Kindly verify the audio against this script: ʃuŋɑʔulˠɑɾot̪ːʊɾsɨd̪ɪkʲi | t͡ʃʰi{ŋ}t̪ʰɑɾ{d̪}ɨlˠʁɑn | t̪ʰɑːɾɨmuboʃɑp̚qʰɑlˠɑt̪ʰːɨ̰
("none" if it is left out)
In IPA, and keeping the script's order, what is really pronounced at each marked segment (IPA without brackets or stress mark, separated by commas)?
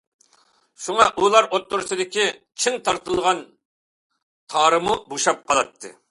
ŋ, t̪